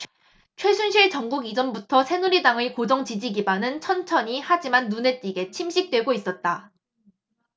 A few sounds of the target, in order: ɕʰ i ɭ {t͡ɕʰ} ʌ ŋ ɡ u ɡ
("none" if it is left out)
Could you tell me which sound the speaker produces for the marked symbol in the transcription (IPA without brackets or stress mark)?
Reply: t͡ɕ